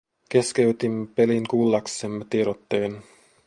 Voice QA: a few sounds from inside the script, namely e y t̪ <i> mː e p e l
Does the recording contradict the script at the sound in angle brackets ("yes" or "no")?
no